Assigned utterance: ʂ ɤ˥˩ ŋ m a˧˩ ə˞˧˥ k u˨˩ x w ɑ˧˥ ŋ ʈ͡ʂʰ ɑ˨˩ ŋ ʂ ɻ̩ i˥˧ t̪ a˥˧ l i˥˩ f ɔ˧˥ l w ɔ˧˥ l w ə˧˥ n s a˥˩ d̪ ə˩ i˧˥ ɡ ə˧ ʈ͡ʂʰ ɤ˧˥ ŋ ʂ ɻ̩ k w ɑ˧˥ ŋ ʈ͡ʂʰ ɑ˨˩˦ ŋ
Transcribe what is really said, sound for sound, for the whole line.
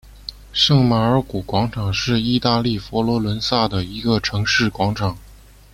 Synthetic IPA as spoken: ʂ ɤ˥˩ ŋ m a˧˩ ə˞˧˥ k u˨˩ k w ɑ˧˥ ŋ ʈ͡ʂʰ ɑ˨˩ ŋ ʂ ɻ̩ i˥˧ t̪ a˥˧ l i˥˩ f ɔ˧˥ l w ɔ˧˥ l w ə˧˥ n s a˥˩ d̪ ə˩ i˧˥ ɡ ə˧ ʈ͡ʂʰ ɤ˧˥ ŋ ʂ ɻ̩ k w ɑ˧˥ ŋ ʈ͡ʂʰ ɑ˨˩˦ ŋ